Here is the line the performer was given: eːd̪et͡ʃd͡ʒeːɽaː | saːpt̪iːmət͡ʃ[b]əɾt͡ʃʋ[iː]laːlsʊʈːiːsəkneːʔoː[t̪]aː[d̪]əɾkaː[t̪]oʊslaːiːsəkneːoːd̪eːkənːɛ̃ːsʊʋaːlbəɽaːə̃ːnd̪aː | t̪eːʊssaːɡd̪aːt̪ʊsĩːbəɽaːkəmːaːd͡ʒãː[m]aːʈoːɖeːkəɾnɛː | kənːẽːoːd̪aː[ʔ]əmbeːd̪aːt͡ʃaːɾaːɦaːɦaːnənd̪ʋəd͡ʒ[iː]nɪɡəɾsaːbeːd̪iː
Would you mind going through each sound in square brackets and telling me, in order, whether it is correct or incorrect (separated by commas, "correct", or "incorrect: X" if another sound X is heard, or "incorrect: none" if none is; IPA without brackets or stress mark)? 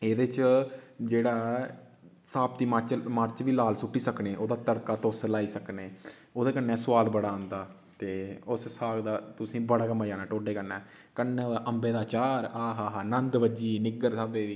incorrect: m, correct, incorrect: d̪, incorrect: t̪, correct, incorrect: n, correct, correct